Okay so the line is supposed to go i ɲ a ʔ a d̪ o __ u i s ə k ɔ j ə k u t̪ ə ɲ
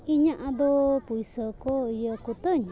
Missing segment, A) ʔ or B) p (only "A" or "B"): B